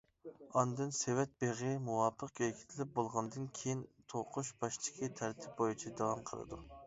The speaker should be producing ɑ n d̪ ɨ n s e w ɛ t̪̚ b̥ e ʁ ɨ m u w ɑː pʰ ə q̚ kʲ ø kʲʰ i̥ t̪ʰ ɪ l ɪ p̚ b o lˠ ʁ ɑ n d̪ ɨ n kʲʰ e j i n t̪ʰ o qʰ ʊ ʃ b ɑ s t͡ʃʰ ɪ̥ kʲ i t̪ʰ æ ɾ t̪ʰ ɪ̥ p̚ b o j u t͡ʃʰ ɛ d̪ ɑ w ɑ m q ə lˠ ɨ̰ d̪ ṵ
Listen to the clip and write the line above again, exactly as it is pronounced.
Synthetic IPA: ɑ n d̪ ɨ n s e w ɛ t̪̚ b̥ e ʁ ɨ m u w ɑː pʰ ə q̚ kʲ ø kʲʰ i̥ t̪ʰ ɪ l ɪ p̚ b o lˠ ʁ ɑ n d̪ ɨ n kʲʰ e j i n t̪ʰ o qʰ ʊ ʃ b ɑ ʃ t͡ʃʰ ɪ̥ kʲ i t̪ʰ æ ɾ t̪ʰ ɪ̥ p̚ b o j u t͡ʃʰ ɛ d̪ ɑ w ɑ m qʰ ə lˠ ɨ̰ d̪ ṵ